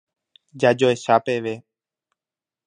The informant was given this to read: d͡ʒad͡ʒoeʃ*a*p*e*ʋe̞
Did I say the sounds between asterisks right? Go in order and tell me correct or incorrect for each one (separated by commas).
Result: correct, correct